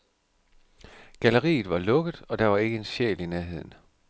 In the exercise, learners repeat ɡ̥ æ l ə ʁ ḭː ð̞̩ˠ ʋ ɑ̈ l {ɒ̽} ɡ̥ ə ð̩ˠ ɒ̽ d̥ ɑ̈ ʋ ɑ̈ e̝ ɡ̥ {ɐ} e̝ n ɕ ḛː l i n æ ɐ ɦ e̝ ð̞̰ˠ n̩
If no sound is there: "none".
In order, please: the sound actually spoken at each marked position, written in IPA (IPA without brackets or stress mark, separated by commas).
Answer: ɔ̽, ə